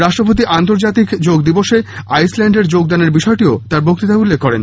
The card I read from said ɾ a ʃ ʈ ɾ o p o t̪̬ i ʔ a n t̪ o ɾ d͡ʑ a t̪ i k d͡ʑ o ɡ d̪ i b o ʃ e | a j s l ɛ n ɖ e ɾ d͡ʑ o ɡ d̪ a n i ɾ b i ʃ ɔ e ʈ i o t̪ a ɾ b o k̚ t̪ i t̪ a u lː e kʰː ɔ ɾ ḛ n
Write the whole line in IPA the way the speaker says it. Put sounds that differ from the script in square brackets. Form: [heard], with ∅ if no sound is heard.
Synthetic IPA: ɾ a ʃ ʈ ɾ o p o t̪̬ i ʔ a n t̪ o ɾ d͡ʑ a t̪ i k d͡ʑ o ɡ d̪ i b o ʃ e | a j s l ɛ [ɳ] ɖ e ɾ d͡ʑ o ɡ d̪ a n [e] ɾ b i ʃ ɔ e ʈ i o t̪ a ɾ b o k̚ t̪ i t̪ a u lː e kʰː ɔ ɾ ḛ n